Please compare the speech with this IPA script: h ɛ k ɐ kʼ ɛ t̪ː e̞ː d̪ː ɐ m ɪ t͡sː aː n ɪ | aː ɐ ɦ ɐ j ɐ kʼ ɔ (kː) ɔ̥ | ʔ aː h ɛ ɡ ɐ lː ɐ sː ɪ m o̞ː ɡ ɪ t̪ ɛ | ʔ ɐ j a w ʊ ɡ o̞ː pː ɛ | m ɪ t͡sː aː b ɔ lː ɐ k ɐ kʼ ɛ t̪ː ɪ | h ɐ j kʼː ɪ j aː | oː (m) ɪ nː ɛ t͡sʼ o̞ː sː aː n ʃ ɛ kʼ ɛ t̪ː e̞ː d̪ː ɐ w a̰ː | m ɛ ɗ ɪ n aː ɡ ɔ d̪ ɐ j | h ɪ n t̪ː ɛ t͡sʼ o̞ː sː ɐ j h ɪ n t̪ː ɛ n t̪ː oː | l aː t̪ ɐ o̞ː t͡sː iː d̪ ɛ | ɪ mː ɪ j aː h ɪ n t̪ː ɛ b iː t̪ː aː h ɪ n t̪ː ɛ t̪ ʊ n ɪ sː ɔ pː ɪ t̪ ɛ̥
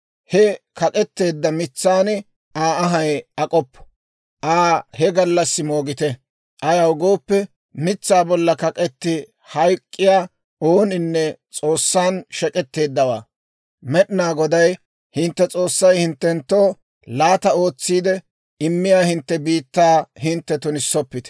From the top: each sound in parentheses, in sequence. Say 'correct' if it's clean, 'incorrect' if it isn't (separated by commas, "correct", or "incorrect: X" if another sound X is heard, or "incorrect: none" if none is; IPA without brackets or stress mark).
incorrect: pː, incorrect: n